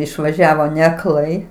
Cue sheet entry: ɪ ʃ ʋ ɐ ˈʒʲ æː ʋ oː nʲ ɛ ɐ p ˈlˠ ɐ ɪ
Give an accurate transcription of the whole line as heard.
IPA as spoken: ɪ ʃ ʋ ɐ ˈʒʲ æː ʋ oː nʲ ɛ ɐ k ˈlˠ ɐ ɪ